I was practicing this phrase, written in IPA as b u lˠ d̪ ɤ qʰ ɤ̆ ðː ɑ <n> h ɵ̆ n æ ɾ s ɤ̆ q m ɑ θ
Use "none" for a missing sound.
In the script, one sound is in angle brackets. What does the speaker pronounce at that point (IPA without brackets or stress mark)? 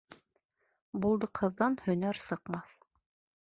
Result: n